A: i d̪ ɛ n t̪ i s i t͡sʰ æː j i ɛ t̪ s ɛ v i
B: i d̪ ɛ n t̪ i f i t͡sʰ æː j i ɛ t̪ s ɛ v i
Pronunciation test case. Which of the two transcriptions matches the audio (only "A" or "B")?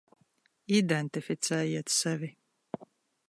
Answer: B